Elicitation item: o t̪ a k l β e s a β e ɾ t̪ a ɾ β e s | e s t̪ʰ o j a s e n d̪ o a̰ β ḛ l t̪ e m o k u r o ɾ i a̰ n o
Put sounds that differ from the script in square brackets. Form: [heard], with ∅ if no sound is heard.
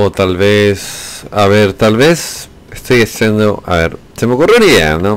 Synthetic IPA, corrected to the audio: o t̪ a [∅] l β e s a β e ɾ t̪ a [l] β e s | e s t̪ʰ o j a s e n d̪ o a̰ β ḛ [ɾ] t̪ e m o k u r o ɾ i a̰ n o